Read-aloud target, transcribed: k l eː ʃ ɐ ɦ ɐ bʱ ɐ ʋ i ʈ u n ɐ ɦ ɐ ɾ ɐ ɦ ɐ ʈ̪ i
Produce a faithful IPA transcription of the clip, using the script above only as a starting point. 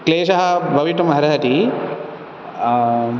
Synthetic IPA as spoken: k l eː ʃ ɐ ɦ ɐ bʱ ɐ ʋ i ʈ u m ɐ ɦ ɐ ɾ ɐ ɦ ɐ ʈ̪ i